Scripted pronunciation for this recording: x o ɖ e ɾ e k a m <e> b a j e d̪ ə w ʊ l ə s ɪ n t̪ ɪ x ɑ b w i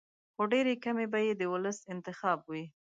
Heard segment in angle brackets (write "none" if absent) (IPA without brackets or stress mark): e